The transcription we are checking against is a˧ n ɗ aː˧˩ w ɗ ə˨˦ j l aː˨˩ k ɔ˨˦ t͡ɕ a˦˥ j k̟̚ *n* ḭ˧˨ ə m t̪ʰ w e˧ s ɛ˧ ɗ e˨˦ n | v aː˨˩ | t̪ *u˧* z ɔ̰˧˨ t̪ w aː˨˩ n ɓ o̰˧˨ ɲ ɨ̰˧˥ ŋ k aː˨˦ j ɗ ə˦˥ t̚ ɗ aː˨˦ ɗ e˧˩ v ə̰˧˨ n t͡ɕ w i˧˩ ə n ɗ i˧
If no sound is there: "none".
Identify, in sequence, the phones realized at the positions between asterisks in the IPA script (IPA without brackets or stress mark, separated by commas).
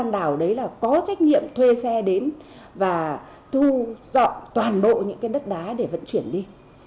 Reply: n, u˧